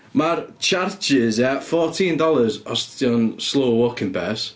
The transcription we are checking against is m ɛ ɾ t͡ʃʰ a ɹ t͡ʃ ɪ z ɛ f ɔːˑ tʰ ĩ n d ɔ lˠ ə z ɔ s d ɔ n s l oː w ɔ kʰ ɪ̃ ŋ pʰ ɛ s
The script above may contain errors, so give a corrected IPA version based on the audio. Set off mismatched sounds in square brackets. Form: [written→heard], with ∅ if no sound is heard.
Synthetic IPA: m [ɛ→a] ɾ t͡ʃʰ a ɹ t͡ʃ ɪ z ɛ f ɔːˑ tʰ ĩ n d ɔ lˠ ə z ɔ s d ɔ n s l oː w ɔ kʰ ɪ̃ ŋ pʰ ɛ s